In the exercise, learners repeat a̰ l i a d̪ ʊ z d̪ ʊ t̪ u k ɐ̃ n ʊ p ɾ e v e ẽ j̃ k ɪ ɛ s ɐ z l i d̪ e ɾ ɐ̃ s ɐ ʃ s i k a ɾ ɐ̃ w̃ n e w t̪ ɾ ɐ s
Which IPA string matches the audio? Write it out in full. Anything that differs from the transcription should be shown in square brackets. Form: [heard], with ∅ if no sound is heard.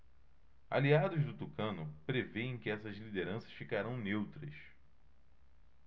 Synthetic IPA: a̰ l i a d̪ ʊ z d̪ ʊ t̪ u k ɐ̃ n ʊ p ɾ e v e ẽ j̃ k ɪ ɛ s ɐ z l i d̪ e ɾ ɐ̃ s ɐ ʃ [f] i k a ɾ ɐ̃ w̃ n e w t̪ ɾ ɐ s